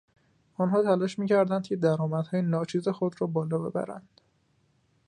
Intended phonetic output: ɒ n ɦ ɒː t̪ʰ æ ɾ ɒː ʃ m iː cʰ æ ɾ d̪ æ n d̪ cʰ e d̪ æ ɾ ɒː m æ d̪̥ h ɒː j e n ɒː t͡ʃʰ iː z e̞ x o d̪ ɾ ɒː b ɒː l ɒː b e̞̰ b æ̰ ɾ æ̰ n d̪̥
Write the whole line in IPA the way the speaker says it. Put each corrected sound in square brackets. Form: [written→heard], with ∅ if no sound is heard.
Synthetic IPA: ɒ n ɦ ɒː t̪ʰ æ [ɾ→l] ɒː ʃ m iː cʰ æ ɾ d̪ æ n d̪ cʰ e d̪ æ ɾ ɒː m æ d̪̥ h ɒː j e n ɒː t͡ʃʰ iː z e̞ x o d̪ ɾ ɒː b ɒː l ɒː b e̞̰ b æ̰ ɾ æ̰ n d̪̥